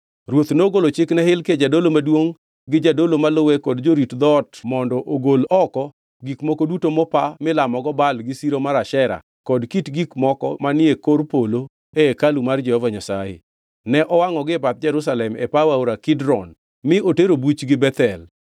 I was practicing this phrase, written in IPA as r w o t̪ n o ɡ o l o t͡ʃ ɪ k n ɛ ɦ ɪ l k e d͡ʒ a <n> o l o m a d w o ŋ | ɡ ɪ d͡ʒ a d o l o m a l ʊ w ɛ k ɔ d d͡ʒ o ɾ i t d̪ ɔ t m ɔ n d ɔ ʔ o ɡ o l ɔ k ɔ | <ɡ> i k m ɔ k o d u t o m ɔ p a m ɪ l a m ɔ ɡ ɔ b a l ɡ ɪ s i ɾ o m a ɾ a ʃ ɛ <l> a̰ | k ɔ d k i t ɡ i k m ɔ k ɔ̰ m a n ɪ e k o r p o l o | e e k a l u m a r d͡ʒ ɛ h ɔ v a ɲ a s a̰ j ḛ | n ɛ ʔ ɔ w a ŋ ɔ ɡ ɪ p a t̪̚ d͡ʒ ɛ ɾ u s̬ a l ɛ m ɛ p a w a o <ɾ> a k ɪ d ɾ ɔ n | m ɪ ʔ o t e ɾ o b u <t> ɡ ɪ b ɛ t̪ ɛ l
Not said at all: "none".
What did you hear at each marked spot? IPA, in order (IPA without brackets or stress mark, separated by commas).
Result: d, ɡ, ɾ, ɾ, t͡ʃ